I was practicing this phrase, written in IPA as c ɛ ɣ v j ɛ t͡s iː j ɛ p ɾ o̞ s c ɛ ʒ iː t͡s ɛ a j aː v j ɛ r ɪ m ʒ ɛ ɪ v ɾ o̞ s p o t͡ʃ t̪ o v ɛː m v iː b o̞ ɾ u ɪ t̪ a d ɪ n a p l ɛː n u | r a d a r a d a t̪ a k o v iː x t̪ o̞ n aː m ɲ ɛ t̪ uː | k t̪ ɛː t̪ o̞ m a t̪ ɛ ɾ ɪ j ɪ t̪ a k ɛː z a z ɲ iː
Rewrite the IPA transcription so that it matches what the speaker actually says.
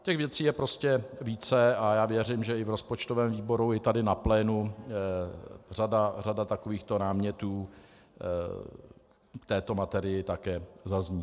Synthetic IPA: c ɛ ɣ v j ɛ t͡s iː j ɛ p ɾ o̞ s c ɛ v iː t͡s ɛ a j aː v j ɛ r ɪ m ʒ ɛ ɪ v ɾ o̞ s p o t͡ʃ t̪ o v ɛː m v iː b o̞ ɾ u ɪ t̪ a d ɪ n a p l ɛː n u | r a d a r a d a t̪ a k o v iː x t̪ o̞ n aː m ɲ ɛ t̪ uː | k t̪ ɛː t̪ o̞ m a t̪ ɛ ɾ ɪ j ɪ t̪ a k ɛː z a z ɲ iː